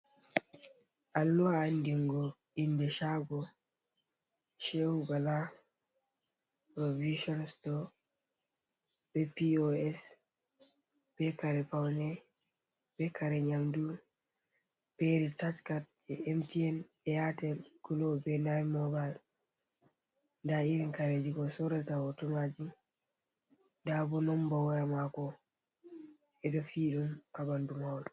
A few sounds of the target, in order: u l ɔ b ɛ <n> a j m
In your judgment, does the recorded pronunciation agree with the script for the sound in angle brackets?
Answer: yes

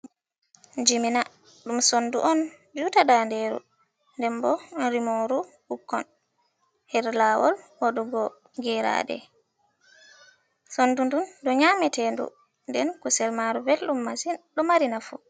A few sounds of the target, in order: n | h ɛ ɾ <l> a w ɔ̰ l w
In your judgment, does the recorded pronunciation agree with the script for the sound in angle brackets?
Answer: yes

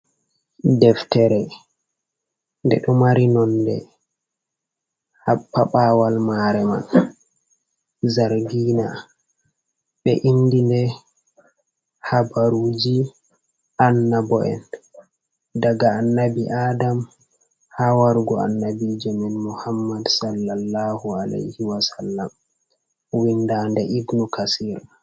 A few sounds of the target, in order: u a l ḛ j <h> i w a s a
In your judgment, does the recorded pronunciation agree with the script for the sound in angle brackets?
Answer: yes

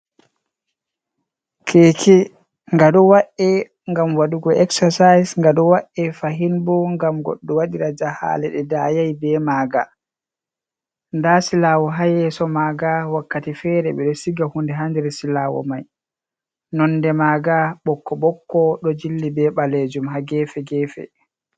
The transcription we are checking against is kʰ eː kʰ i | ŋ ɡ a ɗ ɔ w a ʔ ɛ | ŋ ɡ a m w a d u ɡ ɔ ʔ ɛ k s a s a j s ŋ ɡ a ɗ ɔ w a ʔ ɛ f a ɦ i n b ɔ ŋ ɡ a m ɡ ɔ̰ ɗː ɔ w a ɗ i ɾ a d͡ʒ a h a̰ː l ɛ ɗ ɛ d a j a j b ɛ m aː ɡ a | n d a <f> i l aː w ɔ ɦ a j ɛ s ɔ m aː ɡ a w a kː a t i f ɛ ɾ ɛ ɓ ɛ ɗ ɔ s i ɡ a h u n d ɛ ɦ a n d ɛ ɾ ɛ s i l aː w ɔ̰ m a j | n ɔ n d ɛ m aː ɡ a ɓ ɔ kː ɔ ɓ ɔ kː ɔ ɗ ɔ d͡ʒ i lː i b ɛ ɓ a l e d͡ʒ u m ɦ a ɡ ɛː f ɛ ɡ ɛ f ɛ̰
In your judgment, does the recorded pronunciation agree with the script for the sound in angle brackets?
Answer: no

